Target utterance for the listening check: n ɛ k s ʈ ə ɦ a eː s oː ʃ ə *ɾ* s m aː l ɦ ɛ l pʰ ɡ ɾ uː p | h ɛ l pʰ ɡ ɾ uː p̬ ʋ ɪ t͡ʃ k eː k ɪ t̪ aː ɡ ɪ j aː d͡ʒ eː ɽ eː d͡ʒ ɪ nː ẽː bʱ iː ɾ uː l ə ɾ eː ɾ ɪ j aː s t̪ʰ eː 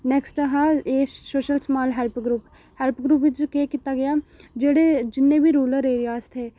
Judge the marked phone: incorrect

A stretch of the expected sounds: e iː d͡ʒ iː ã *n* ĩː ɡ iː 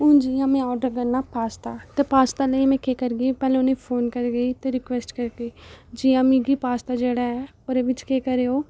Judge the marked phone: incorrect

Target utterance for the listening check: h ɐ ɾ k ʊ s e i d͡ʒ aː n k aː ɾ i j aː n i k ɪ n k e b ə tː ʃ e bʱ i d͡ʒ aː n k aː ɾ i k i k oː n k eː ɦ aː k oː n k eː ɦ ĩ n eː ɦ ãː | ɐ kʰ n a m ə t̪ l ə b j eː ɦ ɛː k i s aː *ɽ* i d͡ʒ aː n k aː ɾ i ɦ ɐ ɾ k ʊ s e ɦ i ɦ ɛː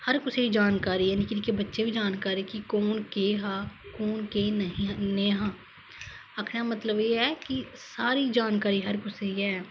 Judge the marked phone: incorrect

